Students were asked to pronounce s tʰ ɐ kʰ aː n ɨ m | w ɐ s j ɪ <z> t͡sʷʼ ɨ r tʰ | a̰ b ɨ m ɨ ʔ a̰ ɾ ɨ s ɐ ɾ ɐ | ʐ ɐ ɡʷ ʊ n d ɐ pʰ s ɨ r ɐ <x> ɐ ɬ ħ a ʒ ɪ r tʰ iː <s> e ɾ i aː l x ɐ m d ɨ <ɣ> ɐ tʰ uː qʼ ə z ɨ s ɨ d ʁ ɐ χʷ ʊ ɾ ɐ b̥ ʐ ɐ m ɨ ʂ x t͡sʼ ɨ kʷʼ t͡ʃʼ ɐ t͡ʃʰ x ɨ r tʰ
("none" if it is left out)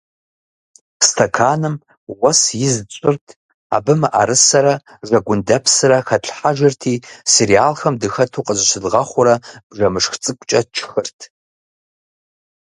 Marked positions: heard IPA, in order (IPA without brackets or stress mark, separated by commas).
z, x, s, x